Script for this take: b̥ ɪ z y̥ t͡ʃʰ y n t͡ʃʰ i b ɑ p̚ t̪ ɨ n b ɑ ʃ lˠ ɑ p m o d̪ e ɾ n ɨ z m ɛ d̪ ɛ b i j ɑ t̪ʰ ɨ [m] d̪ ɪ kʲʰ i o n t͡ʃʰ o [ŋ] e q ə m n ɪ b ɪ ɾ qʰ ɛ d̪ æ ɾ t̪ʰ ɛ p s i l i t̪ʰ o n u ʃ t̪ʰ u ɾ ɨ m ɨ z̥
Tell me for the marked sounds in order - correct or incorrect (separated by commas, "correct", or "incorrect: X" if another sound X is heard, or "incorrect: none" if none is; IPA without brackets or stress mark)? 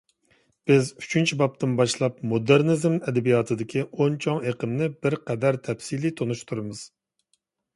incorrect: none, correct